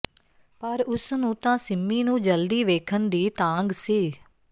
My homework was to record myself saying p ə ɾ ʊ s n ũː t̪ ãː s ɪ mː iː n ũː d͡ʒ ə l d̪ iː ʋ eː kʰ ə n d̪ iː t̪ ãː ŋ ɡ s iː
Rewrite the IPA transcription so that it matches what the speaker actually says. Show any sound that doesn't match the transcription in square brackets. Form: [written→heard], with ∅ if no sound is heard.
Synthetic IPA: p ə ɾ ʊ s n ũː t̪ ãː s ɪ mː iː n ũː d͡ʒ ə l d̪ iː ʋ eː kʰ ə n d̪ iː t̪ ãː ŋ ɡ s iː